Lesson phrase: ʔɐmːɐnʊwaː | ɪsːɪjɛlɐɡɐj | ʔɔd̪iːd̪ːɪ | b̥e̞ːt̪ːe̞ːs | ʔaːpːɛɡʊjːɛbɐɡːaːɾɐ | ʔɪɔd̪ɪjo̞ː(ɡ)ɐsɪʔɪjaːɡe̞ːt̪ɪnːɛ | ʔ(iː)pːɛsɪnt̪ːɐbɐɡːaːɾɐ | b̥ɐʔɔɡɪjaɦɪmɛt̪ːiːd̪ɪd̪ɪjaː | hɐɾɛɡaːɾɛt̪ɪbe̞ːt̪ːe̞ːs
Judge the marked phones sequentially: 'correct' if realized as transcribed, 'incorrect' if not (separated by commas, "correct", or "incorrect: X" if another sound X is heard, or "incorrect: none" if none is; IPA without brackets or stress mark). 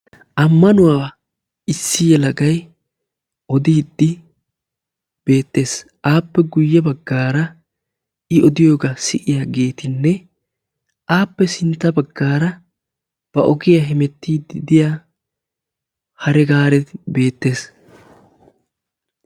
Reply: correct, incorrect: aː